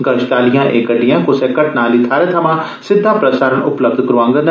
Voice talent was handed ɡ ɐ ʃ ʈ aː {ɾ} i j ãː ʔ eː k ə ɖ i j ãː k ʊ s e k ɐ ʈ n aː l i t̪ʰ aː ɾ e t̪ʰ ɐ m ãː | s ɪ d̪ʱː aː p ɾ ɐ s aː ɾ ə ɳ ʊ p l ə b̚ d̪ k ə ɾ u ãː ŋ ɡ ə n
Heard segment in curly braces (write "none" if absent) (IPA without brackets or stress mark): l